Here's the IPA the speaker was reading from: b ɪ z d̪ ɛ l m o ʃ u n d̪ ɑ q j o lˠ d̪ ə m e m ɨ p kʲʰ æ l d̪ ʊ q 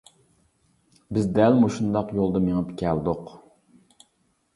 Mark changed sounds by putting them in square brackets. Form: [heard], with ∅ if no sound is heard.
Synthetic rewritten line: b ɪ z d̪ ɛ l m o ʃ u n d̪ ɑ q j o lˠ d̪ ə m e [ŋ] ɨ p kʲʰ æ l d̪ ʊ q

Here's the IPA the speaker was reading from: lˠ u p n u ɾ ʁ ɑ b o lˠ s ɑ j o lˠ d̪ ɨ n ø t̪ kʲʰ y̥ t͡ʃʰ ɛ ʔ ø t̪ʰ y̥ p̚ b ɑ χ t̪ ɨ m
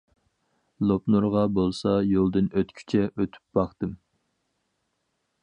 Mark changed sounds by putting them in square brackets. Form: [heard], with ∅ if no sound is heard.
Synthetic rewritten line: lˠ [o] p n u ɾ ʁ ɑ b o lˠ s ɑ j o lˠ d̪ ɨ n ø t̪ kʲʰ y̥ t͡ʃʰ ɛ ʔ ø t̪ʰ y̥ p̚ b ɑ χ t̪ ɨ m

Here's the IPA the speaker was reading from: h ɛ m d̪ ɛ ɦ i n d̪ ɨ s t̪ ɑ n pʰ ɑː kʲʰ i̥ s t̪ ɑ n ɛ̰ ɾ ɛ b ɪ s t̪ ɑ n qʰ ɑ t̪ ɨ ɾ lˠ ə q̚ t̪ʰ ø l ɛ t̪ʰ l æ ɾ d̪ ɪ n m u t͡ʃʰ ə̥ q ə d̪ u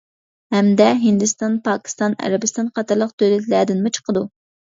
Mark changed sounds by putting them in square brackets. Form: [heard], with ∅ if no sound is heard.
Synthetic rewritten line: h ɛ m d̪ ɛ ɦ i n d̪ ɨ s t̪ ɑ n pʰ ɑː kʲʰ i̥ s t̪ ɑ n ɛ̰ ɾ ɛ b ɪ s t̪ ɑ n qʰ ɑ t̪ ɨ ɾ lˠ ə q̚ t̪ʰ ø l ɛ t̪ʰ l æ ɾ d̪ ɪ n m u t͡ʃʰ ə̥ q ə d̪ u

